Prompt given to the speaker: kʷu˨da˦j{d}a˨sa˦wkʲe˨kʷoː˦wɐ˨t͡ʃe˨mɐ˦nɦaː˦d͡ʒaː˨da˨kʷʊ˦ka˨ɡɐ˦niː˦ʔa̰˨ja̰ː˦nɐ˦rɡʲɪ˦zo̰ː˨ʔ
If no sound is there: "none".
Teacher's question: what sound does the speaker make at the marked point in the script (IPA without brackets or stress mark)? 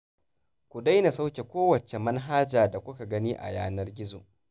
n